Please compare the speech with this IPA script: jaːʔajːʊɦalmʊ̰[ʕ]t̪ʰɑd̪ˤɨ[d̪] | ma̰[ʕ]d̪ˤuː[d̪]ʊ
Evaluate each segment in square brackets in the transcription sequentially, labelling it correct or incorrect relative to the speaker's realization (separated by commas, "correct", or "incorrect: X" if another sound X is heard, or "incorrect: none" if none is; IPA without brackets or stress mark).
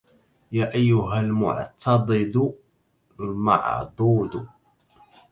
correct, correct, correct, correct